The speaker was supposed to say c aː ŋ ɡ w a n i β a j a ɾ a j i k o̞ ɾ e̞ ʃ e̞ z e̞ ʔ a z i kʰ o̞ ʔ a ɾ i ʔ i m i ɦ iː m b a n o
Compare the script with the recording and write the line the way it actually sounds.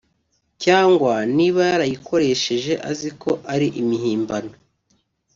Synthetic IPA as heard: c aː ŋ ɡ w a n i β a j a ɾ a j i k o̞ ɾ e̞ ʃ e̞ ʒ e̞ ʔ a z i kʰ o̞ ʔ a ɾ i ʔ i m i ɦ iː m b a n o

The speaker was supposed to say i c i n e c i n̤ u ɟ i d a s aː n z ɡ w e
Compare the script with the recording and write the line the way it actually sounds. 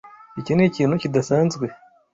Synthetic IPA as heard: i c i n e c iː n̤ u c i d a s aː n z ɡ w e

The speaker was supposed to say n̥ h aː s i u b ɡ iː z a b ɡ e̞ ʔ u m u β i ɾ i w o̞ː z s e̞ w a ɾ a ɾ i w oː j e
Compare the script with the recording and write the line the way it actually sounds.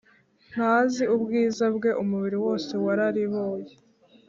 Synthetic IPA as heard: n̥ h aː z i u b ɡ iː z a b ɡ e̞ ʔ u m u β i ɾ i w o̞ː s e̞ w a ɾ a ɾ i β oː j e

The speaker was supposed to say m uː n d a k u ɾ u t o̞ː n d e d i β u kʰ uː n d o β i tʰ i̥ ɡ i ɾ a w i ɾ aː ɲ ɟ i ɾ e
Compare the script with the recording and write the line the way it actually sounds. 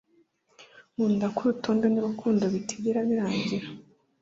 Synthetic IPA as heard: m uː n d a k u ɾ u t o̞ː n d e n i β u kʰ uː n d o β i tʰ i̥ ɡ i ɾ a β i ɾ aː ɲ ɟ i ɾ a

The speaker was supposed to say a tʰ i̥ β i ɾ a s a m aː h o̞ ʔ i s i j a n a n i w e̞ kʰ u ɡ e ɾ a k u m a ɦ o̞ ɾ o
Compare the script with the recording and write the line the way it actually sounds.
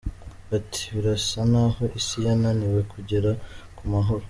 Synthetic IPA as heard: a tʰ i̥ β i ɾ a s a n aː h o̞ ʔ i s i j a n a n i w e̞ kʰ u ɟ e ɾ a k u m a ɦ o̞ ɾ o

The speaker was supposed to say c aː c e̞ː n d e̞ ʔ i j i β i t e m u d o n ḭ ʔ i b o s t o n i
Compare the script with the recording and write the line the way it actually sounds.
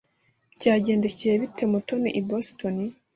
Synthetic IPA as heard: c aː ɟ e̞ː n d e̞ c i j e β i t e m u t o n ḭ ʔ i b o s t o n i

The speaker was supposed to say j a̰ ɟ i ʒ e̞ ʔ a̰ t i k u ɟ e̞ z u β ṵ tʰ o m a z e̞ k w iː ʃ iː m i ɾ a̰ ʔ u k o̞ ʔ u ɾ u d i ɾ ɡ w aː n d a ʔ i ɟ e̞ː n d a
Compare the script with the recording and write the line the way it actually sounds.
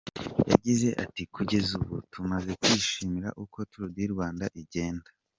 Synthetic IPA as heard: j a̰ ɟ i z e̞ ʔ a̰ t i k u ɟ e̞ z u β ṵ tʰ u m a z e̞ k w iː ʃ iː m i ɾ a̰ ʔ u k o̞ t u ɾ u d i ɾ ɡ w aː n d a ʔ i ɟ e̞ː n d a

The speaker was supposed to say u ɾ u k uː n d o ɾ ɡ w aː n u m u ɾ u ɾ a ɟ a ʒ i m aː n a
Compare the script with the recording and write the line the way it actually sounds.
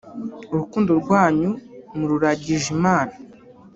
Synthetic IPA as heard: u ɾ u k uː n d o ɾ ɡ w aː ɲ u m u ɾ u ɾ a ɟ i ʒ i m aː n a

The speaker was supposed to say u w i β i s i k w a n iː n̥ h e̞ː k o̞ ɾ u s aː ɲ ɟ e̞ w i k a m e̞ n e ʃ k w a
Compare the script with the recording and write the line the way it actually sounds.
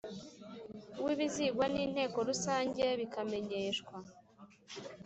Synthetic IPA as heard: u w i β i z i ɡ w a n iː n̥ h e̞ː k o̞ ɾ u s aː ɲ ɟ e̞ β i k a m e̞ ɲ e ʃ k w a

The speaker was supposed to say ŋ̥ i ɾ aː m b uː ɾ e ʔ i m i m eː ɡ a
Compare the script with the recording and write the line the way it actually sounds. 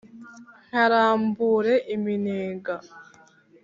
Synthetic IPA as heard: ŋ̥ a ɾ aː m b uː ɾ e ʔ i m i n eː ɡ a

